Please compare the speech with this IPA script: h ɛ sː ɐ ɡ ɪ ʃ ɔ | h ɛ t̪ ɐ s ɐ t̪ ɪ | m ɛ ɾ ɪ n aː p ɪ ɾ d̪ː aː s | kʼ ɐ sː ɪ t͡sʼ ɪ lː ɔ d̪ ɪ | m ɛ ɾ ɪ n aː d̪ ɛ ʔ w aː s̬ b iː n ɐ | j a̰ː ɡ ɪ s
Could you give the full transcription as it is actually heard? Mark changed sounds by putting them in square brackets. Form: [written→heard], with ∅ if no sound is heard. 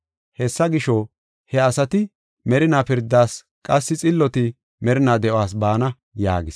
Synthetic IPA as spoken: h ɛ sː ɐ ɡ ɪ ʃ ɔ | h ɛ [t̪→∅] ɐ s ɐ t̪ ɪ | m ɛ ɾ ɪ n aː p ɪ ɾ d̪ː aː s | kʼ ɐ sː ɪ t͡sʼ ɪ lː ɔ [d̪→t̪] ɪ | m ɛ ɾ ɪ n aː d̪ ɛ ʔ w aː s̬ b [iː→aː] n ɐ | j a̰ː ɡ ɪ s

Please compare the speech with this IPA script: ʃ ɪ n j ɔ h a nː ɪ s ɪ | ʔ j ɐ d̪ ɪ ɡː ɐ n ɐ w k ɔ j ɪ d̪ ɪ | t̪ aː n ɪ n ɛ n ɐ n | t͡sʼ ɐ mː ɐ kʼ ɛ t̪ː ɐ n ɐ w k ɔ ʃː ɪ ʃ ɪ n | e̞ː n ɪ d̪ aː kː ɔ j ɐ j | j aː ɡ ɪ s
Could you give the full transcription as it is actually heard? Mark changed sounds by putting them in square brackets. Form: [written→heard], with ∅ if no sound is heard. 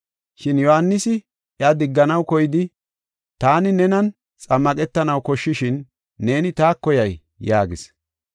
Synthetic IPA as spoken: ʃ ɪ n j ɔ h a nː ɪ s ɪ | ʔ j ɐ d̪ ɪ ɡː ɐ n ɐ w k ɔ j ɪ d̪ ɪ | t̪ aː n ɪ n ɛ n ɐ n | t͡sʼ ɐ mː ɐ kʼ ɛ t̪ː ɐ n ɐ w k ɔ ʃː ɪ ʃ ɪ [n→nː] | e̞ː n ɪ [d̪→t̪] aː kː ɔ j ɐ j | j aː ɡ ɪ s

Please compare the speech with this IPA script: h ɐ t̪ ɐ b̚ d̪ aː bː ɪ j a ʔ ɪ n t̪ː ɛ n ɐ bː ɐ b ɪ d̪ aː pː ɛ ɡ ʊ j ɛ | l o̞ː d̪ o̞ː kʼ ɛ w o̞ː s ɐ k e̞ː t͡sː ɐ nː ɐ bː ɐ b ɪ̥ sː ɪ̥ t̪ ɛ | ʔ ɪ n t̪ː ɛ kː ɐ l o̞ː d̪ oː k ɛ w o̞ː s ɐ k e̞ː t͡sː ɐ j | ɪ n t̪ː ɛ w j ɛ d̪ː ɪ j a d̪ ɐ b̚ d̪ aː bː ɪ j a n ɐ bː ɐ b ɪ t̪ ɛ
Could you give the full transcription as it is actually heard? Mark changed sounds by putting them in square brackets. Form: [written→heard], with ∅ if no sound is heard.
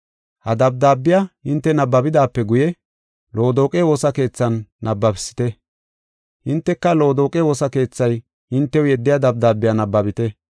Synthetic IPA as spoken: h ɐ [t̪→d̪] ɐ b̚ d̪ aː bː ɪ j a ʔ ɪ n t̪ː ɛ n ɐ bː ɐ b ɪ d̪ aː pː ɛ ɡ ʊ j ɛ | l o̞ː d̪ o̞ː kʼ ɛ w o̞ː s ɐ k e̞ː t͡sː ɐ nː ɐ bː ɐ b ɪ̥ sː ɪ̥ t̪ ɛ | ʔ ɪ n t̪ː ɛ kː ɐ l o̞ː d̪ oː [k→kʼ] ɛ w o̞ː s ɐ k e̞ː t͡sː ɐ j | ɪ n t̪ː ɛ w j ɛ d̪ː ɪ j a d̪ ɐ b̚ d̪ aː bː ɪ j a n ɐ bː ɐ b ɪ t̪ ɛ

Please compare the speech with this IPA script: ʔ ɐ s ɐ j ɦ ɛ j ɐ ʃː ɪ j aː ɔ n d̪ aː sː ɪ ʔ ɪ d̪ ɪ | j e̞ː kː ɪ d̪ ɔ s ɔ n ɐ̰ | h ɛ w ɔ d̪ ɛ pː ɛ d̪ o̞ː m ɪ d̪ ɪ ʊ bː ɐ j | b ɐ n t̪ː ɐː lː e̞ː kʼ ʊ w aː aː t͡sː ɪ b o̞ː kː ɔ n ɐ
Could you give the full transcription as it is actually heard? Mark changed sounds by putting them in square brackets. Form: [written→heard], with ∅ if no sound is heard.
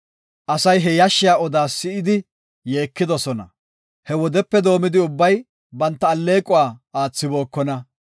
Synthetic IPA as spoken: ʔ ɐ s ɐ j ɦ ɛ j ɐ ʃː ɪ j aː ɔ [n→∅] d̪ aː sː ɪ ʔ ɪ d̪ ɪ | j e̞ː kː ɪ d̪ ɔ s ɔ n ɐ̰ | h ɛ w ɔ d̪ ɛ pː ɛ d̪ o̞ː m ɪ d̪ ɪ ʊ bː ɐ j | b ɐ n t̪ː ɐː lː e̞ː kʼ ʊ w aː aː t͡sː ɪ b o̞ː kː ɔ n ɐ

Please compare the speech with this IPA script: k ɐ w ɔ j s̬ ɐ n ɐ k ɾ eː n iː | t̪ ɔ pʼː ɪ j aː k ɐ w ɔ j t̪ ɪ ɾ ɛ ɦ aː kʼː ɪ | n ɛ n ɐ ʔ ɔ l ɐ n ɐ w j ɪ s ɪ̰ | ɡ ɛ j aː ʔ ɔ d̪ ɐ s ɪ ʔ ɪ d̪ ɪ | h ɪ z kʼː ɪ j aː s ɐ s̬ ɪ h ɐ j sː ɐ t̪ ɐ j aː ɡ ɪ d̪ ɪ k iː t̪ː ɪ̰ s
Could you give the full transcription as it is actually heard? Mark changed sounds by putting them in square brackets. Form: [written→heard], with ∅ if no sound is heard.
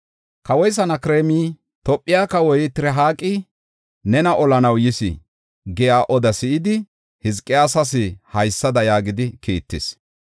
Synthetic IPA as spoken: k ɐ w ɔ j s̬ ɐ n ɐ k ɾ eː [n→m] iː | t̪ ɔ pʼː ɪ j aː k ɐ w ɔ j t̪ ɪ ɾ ɛ ɦ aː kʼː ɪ | n ɛ n ɐ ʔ ɔ l ɐ n ɐ w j ɪ s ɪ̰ | ɡ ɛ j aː ʔ ɔ d̪ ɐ s ɪ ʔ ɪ d̪ ɪ | h ɪ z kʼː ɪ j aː s ɐ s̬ ɪ h ɐ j sː ɐ [t̪→d̪] ɐ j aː ɡ ɪ d̪ ɪ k iː t̪ː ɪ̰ s

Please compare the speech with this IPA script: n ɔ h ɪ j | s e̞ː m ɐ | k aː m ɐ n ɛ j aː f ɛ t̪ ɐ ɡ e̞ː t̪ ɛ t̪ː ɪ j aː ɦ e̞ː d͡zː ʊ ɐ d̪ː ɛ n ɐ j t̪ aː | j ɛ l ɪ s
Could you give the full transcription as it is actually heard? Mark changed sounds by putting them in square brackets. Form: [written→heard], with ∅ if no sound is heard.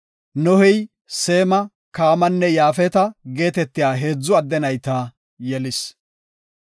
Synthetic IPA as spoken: n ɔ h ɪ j | s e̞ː m ɐ | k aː m ɐ [n→nː] ɛ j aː f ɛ t̪ ɐ ɡ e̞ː t̪ ɛ t̪ː ɪ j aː ɦ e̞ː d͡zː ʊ ɐ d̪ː ɛ n ɐ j t̪ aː | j ɛ l ɪ s

